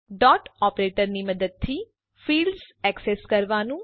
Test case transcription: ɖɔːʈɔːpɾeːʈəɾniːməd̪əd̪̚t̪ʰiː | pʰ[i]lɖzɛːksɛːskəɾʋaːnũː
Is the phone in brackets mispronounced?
yes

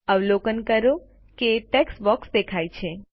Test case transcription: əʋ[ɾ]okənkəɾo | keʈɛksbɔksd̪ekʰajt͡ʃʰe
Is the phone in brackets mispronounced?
yes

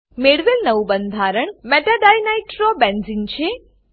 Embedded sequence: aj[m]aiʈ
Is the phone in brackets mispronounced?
yes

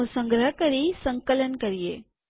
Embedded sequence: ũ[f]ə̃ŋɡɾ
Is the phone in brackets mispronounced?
yes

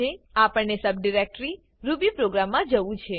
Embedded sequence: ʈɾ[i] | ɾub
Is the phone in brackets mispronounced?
no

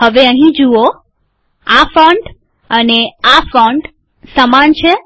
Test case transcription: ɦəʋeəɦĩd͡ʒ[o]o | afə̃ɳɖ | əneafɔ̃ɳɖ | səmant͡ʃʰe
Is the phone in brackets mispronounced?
yes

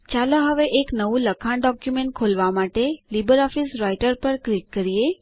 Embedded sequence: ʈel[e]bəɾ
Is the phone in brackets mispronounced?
yes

